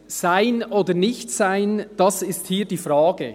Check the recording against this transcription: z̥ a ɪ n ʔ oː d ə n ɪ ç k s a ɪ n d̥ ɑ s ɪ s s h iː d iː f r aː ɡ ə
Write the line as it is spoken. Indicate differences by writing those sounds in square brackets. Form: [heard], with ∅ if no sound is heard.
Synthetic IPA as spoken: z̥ a ɪ n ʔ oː d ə n ɪ ç [t] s a ɪ n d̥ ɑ s ɪ s [t] h iː d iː f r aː ɡ ə